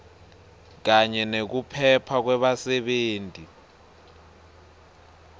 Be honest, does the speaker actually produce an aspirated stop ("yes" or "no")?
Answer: yes